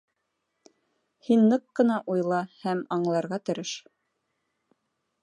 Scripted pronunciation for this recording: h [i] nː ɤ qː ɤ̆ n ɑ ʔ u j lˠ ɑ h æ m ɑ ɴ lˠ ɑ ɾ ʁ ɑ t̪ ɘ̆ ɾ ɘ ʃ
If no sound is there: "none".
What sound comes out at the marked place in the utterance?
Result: i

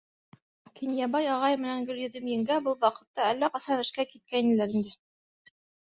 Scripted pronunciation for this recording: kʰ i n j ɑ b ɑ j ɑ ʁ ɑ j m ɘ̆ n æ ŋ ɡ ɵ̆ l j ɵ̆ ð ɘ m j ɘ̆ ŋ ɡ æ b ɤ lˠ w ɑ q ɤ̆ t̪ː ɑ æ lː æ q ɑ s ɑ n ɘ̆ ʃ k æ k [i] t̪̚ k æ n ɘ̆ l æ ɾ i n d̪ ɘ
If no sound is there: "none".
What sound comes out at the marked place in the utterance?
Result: i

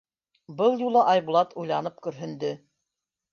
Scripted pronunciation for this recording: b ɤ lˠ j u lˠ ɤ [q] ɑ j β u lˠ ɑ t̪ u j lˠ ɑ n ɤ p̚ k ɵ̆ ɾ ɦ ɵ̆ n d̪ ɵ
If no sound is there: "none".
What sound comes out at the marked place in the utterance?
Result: ʔ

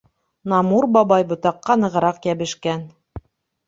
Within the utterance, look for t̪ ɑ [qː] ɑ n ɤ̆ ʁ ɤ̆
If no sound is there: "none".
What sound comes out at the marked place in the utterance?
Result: qː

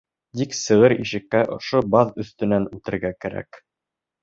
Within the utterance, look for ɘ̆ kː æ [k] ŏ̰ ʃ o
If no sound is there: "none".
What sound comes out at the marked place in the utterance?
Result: ʔ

